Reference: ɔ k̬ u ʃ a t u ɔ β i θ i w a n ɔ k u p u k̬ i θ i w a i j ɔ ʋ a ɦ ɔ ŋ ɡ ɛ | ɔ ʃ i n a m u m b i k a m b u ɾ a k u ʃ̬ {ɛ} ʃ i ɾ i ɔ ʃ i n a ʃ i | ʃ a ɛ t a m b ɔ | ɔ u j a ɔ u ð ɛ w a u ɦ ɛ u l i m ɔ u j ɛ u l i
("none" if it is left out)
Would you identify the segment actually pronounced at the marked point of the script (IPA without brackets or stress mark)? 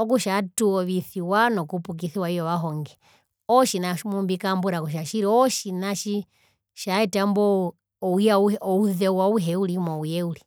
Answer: a